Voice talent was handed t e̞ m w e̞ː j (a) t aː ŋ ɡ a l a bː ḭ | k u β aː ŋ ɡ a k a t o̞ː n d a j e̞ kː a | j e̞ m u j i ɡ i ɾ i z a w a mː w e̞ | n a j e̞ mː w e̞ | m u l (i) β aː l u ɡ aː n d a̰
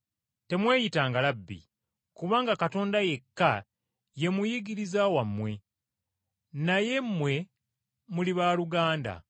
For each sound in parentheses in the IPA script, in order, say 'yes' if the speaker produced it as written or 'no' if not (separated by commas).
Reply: no, yes